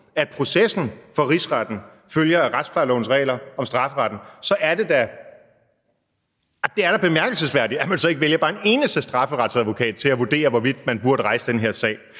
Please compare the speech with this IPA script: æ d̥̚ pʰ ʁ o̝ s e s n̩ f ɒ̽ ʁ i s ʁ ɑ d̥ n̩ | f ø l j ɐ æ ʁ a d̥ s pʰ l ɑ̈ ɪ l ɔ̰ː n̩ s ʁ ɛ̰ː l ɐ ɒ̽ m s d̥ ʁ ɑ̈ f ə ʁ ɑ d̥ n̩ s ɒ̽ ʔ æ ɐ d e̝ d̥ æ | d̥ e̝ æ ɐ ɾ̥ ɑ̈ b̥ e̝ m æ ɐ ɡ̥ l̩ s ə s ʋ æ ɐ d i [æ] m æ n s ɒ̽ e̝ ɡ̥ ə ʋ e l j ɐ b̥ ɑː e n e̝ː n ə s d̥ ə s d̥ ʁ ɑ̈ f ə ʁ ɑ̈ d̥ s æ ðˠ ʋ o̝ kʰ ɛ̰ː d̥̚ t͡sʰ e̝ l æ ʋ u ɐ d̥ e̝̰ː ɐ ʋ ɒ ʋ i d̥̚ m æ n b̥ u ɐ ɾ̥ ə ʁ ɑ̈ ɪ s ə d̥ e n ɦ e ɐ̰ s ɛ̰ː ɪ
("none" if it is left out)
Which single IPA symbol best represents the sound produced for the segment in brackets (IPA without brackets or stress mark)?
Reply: æ